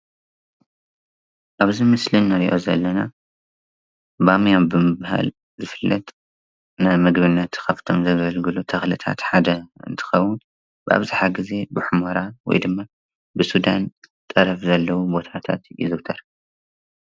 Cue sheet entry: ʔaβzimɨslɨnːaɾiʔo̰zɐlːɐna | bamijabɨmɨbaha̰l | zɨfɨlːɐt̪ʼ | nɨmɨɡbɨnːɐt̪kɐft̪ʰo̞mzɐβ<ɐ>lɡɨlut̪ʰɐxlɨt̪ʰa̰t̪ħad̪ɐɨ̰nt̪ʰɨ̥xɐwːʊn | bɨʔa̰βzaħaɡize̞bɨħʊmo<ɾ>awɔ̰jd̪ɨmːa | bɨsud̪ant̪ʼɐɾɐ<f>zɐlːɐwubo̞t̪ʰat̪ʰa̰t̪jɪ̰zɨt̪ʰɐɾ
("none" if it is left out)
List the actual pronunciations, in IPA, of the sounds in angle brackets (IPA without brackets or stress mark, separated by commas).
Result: ɐ, ɾ, f